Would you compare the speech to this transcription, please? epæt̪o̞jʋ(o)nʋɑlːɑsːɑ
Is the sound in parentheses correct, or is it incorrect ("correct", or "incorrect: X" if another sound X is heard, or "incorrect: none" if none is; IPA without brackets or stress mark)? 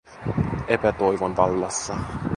correct